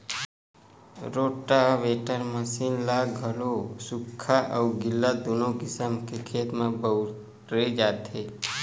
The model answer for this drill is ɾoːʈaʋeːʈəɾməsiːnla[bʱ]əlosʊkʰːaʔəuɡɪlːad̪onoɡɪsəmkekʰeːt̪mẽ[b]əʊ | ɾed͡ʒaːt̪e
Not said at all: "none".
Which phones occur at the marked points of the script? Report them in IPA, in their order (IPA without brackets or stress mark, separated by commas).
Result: ɡʱ, b